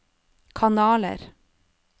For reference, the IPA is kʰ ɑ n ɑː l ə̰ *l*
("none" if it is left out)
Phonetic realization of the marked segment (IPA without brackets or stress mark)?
ɾ